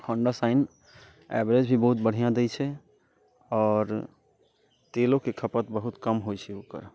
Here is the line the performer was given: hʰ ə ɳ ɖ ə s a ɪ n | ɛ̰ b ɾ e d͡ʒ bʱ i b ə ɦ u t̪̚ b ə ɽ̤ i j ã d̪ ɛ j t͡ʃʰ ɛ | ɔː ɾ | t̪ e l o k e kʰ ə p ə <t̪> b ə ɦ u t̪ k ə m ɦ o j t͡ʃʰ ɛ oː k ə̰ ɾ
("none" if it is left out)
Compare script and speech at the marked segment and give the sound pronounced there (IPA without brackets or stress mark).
t̪